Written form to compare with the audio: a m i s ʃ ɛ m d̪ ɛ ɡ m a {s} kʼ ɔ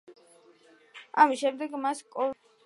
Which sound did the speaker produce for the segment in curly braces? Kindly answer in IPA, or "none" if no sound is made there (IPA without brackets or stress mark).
s